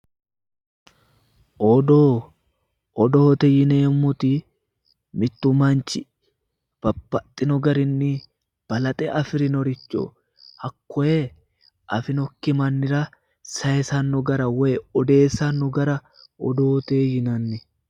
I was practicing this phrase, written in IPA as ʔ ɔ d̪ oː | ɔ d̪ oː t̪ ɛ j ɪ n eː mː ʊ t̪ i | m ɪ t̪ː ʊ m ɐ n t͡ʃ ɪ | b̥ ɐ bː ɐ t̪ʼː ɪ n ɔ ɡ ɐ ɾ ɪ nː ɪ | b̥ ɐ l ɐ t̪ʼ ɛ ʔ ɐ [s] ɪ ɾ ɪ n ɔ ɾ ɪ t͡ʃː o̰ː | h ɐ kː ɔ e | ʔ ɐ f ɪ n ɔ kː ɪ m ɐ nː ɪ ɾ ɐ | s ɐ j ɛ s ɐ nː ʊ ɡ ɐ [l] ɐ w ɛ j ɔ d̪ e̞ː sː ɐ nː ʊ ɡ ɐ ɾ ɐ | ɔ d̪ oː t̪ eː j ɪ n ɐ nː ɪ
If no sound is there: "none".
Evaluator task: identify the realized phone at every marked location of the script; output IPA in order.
f, ɾ

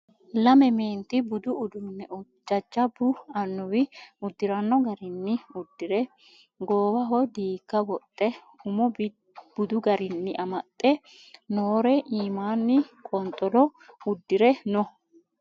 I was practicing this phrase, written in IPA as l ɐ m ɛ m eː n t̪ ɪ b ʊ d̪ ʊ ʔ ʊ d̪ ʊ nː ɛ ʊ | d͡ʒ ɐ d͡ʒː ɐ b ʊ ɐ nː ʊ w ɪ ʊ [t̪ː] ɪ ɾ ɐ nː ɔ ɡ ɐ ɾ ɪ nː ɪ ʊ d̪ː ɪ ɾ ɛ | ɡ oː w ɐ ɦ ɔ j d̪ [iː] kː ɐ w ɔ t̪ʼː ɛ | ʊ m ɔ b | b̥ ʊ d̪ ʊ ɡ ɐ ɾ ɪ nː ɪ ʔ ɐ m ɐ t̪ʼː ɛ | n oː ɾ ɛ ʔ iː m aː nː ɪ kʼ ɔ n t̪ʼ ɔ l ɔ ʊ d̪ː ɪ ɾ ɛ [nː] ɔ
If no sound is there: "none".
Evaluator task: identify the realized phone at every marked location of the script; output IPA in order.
d̪ː, iː, n

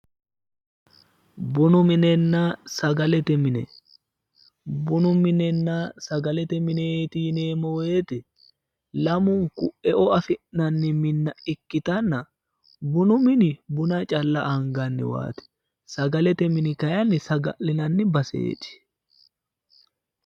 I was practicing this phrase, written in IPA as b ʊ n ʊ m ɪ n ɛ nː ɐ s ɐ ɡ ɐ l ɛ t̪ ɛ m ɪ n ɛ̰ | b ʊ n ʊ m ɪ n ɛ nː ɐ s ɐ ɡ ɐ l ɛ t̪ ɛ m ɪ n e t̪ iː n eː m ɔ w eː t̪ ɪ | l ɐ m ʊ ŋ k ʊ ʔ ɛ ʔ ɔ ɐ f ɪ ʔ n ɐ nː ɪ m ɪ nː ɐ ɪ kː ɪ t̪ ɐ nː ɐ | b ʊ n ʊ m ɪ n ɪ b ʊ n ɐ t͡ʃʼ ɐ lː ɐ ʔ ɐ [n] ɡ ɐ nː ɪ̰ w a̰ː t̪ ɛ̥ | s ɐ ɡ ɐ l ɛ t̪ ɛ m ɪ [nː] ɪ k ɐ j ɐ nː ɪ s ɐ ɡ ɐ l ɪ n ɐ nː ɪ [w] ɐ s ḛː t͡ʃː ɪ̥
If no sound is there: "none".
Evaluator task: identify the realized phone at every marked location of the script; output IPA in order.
ŋ, n, b

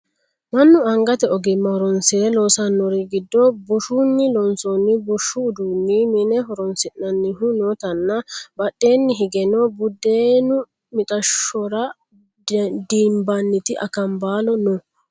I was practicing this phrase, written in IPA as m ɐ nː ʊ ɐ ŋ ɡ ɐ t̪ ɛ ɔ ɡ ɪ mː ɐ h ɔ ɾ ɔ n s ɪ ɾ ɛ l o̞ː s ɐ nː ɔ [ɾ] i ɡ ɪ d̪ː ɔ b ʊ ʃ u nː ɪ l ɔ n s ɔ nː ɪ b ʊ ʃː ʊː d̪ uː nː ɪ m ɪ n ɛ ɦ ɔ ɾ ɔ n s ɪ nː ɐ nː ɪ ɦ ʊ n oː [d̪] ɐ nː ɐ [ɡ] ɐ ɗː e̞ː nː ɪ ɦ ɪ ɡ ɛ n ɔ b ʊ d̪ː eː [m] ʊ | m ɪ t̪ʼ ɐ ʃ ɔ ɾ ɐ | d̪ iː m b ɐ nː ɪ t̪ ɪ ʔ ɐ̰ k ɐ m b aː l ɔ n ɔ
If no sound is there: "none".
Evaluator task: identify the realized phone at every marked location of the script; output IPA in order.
ɾ, t̪, b, n

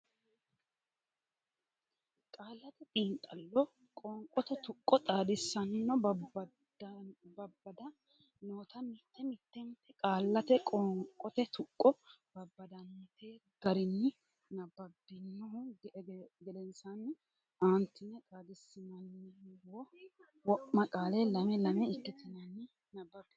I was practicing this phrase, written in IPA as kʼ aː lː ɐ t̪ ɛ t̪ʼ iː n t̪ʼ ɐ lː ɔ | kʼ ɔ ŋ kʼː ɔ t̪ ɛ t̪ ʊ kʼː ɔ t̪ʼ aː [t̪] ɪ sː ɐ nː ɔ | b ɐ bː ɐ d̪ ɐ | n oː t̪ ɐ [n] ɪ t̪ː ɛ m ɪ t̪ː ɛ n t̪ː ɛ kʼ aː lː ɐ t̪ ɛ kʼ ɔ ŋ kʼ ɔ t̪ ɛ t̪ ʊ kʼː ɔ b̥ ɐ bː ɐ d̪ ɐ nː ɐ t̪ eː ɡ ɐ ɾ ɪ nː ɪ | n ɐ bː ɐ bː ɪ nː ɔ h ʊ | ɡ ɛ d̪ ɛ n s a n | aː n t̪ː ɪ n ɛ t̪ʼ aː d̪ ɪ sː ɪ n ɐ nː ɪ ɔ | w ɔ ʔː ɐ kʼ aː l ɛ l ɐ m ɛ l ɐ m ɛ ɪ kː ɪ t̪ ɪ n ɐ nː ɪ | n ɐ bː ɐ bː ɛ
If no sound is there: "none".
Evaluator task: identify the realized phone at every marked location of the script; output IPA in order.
d̪, m

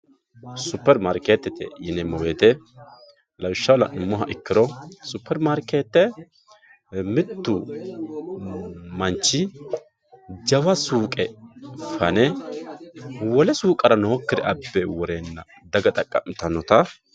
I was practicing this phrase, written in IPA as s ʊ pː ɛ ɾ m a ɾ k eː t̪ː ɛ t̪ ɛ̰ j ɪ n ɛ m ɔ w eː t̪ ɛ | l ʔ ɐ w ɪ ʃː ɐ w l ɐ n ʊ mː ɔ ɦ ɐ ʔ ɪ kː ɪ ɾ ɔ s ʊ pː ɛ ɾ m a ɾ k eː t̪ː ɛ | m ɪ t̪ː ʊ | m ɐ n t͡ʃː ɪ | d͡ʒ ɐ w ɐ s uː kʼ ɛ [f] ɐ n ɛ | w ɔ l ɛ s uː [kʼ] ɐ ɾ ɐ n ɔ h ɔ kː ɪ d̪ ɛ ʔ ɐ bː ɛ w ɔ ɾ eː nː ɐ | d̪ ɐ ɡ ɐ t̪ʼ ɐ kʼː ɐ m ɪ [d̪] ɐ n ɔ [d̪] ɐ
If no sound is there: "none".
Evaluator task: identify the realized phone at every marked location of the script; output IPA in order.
f, kʼ, t̪, t̪

